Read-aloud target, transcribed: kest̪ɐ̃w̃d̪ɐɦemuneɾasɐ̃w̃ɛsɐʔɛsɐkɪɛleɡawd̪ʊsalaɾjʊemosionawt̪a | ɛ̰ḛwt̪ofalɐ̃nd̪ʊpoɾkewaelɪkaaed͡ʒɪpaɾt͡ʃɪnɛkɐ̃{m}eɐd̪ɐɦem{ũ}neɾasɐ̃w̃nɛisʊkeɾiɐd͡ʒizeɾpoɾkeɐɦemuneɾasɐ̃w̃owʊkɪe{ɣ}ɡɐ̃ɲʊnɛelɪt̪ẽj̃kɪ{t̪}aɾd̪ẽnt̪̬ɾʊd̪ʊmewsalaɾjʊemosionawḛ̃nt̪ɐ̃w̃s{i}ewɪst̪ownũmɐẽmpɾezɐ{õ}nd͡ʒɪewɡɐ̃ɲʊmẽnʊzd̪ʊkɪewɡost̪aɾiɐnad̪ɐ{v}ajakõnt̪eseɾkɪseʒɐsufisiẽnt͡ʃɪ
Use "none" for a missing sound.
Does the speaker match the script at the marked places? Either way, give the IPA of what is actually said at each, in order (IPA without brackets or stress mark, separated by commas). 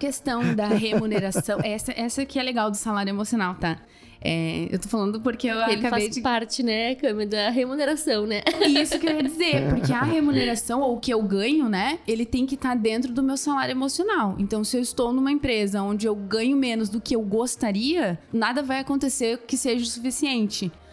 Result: m, u, w, t̪, ɪ, õ, v